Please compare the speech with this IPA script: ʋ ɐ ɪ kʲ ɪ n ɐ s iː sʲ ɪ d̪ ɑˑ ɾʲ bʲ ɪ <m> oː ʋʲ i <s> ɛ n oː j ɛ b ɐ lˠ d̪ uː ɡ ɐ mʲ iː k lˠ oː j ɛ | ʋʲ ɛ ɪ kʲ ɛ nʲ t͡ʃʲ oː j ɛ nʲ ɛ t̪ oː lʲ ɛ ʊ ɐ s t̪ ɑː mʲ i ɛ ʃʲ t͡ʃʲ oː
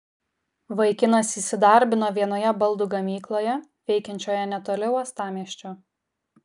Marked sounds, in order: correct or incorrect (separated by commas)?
incorrect, incorrect